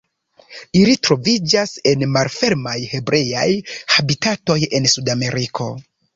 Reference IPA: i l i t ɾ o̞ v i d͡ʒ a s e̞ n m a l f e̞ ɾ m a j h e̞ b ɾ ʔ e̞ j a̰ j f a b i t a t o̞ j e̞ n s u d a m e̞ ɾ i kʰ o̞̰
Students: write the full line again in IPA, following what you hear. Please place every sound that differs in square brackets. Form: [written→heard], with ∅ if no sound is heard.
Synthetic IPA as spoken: i l i t ɾ o̞ v i d͡ʒ a s e̞ n m a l f e̞ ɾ m a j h e̞ b ɾ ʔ e̞ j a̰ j [f→h] a b i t a t o̞ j e̞ n s u d a m e̞ ɾ i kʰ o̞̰